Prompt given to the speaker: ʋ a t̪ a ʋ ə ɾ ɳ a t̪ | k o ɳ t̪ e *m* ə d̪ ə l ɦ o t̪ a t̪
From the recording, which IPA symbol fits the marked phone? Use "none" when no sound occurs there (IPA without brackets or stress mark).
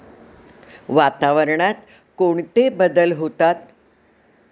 b